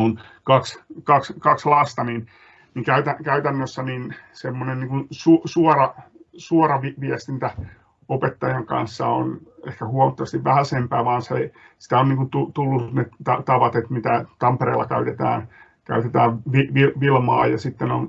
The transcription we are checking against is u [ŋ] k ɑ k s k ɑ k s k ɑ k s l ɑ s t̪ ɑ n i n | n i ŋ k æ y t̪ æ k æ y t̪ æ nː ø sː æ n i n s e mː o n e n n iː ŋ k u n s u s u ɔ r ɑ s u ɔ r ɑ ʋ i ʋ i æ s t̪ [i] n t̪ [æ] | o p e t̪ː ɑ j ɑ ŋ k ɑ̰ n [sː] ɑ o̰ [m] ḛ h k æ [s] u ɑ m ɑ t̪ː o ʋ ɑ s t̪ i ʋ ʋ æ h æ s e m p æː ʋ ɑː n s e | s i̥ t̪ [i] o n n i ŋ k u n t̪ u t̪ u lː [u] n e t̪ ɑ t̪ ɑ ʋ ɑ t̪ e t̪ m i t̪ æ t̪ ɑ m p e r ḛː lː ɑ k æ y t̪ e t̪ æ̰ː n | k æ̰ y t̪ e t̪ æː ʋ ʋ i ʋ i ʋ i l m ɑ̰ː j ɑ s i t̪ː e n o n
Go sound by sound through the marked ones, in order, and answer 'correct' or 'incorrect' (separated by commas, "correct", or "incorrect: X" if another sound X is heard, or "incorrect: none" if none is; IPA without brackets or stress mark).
incorrect: n, correct, correct, correct, incorrect: n, incorrect: h, incorrect: æ, correct